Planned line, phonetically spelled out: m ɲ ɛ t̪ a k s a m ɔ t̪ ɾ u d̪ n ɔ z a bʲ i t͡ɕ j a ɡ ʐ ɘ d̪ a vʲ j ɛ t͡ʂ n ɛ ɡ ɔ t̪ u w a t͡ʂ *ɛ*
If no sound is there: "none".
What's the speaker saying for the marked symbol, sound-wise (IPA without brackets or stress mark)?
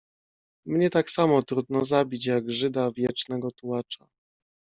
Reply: a